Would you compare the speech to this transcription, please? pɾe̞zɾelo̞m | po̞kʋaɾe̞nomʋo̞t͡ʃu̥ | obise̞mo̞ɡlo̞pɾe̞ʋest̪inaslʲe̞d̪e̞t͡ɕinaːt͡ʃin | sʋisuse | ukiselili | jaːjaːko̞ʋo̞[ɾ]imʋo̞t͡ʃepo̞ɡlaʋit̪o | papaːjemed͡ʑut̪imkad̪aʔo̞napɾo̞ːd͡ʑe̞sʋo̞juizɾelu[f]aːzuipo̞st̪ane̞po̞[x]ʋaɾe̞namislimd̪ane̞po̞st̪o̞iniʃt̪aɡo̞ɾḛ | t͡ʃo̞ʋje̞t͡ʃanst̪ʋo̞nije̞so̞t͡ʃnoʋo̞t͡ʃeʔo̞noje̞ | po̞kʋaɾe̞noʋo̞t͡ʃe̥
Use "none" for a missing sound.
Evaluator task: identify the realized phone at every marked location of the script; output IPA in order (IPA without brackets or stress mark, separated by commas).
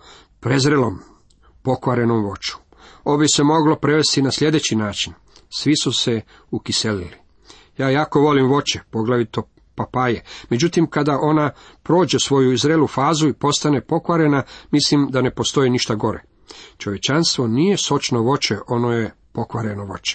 l, f, k